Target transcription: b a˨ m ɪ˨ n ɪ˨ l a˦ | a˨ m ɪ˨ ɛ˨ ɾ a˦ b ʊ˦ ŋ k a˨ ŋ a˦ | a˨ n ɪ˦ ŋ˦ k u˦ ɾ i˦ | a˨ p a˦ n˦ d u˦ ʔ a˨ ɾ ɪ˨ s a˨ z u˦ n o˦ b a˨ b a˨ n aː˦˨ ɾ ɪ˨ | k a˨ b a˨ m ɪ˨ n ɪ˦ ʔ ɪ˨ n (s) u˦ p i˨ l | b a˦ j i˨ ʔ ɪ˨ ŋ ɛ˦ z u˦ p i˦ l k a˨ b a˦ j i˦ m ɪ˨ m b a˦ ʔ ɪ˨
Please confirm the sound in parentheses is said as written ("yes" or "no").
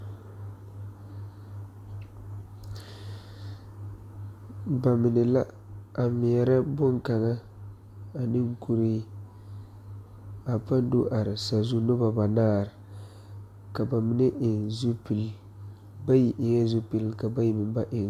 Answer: no